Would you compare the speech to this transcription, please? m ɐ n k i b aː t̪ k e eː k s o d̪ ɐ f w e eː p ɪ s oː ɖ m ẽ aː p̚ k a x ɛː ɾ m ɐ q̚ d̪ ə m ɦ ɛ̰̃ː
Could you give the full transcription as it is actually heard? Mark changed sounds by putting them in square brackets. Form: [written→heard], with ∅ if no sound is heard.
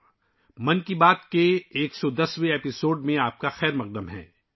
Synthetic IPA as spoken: m ɐ n k i b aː t̪ k e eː k s [o→ɔ] d̪ ɐ [f→s] w e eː p ɪ s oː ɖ m ẽ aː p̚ k a x ɛː ɾ m ɐ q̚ d̪ ə m ɦ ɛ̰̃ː